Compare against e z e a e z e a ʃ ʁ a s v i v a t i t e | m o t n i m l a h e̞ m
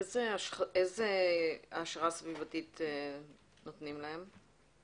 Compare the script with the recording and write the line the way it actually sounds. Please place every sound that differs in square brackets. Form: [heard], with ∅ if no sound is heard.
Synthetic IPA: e z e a e z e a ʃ ʁ a s v i v a t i t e | [n] o t n i m l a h e̞ m